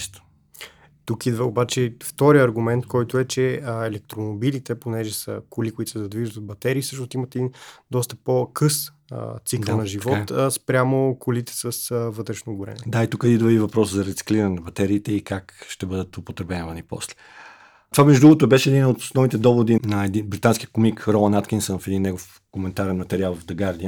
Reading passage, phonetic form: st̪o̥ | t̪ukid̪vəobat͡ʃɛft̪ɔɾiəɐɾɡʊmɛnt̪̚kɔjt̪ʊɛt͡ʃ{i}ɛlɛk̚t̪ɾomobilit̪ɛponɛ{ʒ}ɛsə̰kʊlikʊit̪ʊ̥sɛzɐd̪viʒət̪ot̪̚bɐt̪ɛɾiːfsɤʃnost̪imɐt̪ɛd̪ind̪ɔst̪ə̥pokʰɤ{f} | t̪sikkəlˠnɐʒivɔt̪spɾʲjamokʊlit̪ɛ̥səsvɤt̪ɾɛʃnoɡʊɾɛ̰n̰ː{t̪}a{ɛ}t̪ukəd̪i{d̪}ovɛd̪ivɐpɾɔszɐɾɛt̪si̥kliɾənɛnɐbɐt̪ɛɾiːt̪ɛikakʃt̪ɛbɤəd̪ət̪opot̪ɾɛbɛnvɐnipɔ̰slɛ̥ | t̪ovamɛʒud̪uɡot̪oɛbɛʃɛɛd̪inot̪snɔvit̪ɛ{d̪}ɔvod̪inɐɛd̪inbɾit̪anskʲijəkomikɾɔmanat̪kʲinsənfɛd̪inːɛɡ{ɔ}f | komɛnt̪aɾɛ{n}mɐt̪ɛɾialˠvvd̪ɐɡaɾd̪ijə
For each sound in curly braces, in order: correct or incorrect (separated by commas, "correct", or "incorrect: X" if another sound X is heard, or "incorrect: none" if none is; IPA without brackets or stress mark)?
incorrect: ɛ, correct, incorrect: s, incorrect: d̪, incorrect: i, correct, correct, incorrect: o, correct